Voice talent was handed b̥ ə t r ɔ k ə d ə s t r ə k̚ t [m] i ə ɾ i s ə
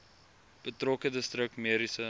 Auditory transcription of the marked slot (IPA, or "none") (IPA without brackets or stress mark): m